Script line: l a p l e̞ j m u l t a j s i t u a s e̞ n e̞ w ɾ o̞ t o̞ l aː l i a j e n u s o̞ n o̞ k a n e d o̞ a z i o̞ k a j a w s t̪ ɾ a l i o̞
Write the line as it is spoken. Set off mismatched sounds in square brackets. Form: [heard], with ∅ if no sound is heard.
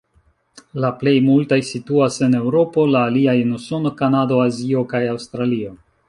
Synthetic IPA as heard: l a p l e̞ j m u l t a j s i t u a s e̞ n e̞ w ɾ o̞ [p] o̞ l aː l i a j e n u s o̞ n o̞ k a n [a] d o̞ a z i o̞ k a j a w s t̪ ɾ a l i o̞